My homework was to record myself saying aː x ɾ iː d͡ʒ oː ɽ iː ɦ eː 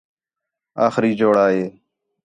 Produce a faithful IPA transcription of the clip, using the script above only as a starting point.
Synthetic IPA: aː x ɾ iː d͡ʒ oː ɽ aː ɦ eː